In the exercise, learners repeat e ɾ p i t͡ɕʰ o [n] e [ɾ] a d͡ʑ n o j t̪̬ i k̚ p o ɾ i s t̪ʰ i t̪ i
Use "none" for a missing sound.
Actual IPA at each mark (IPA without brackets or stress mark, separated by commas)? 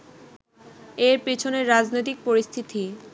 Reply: n, ɾː